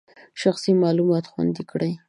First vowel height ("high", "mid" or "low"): low